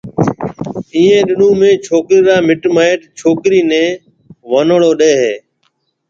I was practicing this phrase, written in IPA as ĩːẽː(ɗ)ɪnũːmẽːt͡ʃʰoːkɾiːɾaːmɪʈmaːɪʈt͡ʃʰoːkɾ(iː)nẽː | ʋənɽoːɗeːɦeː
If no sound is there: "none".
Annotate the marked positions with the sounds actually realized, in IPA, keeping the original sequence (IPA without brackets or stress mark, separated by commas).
ɗ, iː